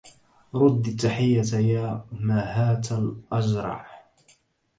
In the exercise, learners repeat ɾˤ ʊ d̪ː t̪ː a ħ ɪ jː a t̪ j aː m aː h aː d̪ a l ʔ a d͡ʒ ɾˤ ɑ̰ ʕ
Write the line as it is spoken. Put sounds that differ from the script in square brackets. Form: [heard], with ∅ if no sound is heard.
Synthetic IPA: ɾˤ ʊ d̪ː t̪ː a ħ ɪ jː a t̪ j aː m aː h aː [t̪] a l ʔ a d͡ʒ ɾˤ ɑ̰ ʕ